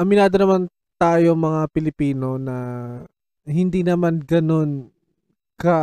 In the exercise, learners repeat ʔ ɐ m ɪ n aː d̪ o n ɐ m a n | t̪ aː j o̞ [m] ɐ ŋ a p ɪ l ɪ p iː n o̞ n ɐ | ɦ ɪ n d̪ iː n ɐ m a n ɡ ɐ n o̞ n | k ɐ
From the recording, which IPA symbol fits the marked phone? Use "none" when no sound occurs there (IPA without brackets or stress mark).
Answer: m